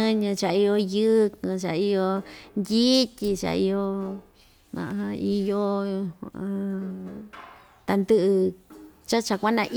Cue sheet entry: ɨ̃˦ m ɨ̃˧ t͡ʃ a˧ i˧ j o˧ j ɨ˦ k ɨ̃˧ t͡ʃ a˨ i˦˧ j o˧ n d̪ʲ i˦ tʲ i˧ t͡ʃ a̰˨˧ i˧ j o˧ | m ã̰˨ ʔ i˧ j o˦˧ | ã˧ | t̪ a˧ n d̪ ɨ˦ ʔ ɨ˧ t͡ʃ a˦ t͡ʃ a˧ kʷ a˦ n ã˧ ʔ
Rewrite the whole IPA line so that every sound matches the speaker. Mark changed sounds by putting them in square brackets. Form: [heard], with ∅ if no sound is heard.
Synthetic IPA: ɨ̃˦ [ɲ] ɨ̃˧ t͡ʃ a˧ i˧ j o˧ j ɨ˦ k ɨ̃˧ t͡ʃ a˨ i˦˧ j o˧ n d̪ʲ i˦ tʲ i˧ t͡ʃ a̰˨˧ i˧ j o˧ | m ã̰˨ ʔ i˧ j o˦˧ | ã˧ | t̪ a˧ n d̪ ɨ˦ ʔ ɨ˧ t͡ʃ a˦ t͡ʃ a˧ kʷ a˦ n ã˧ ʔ